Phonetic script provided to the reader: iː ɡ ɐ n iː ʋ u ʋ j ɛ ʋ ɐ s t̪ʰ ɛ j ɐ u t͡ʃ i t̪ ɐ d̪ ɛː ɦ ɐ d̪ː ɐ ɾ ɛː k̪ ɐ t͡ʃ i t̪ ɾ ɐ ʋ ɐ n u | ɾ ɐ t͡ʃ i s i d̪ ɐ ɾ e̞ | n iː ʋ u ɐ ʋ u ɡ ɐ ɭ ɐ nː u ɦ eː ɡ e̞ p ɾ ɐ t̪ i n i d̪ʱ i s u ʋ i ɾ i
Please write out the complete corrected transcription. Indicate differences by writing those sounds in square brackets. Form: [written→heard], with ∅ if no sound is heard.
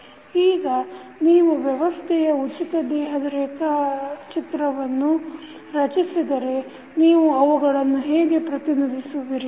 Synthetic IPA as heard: iː ɡ ɐ n iː ʋ u ʋ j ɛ ʋ ɐ s t̪ʰ ɛ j ɐ u t͡ʃ i t̪ ɐ d̪ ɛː ɦ ɐ [d̪ː→d̪] ɐ ɾ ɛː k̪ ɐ t͡ʃ i t̪ ɾ ɐ ʋ ɐ [n→nː] u | ɾ ɐ t͡ʃ i s i d̪ ɐ ɾ e̞ | n iː ʋ u ɐ ʋ u ɡ ɐ ɭ ɐ nː u ɦ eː ɡ e̞ p ɾ ɐ t̪ i n i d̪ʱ i s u ʋ i ɾ i